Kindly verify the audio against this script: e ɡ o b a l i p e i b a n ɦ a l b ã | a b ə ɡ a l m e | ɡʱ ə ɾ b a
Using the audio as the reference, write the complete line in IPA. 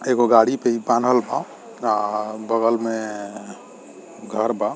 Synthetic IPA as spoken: e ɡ o ɡ a ɽ i p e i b a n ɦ ə l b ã | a b ə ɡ ə l m e | ɡʱ ə ɾ b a